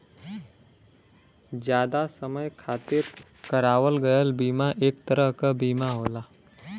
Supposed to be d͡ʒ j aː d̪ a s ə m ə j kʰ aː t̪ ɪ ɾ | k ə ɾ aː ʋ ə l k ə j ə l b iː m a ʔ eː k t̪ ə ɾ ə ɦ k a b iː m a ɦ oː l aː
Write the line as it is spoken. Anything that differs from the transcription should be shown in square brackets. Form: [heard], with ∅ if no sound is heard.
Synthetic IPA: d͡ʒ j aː d̪ a s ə m ə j kʰ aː t̪ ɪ ɾ | k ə ɾ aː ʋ ə l [ɡ] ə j ə l b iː m a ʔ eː k t̪ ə ɾ ə ɦ k a b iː m a ɦ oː l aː